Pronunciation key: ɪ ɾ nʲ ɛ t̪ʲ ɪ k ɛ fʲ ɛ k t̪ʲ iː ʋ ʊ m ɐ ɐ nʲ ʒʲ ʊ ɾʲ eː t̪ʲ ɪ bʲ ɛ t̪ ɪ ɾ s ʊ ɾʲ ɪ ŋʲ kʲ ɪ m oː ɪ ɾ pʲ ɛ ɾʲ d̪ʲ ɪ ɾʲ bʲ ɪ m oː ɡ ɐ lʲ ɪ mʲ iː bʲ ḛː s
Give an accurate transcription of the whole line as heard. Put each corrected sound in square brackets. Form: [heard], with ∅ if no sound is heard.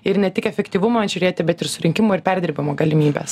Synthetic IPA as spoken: ɪ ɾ nʲ ɛ t̪ʲ ɪ k ɛ fʲ ɛ k t̪ʲ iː ʋ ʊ m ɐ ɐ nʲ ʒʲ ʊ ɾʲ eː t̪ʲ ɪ bʲ ɛ t̪ ɪ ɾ s ʊ ɾʲ ɪ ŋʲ kʲ ɪ m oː ɪ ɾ pʲ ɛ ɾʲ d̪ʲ ɪ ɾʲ bʲ ɪ m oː ɡ ɐ lʲ ɪ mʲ iː bʲ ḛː s